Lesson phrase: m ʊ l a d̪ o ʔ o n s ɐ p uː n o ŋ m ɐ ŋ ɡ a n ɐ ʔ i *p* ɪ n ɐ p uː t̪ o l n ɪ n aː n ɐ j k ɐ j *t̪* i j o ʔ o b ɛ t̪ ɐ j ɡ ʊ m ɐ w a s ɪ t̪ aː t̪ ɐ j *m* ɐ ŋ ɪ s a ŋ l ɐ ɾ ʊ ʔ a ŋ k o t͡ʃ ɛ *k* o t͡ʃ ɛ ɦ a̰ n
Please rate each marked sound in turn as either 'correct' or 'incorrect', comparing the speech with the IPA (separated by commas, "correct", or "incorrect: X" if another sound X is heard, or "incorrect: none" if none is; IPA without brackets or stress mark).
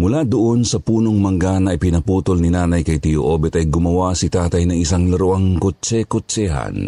correct, correct, incorrect: n, correct